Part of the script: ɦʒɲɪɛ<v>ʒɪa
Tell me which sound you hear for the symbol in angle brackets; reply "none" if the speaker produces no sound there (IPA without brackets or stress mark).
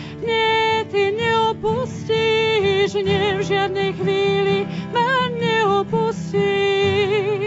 v